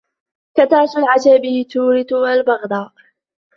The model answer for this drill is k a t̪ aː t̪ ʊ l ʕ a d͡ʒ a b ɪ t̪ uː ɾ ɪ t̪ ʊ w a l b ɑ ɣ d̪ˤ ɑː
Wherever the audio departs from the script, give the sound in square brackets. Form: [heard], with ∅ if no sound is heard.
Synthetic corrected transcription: k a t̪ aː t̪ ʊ l ʕ a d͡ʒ a b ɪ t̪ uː ɾ ɪ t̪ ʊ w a l b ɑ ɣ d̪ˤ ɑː